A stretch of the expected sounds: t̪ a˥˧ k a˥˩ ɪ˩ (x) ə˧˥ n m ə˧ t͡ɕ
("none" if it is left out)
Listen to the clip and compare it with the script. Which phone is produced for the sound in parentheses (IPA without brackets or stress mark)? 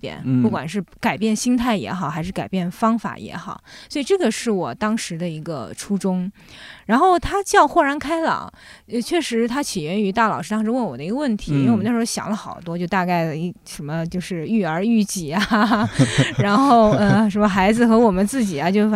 ʂ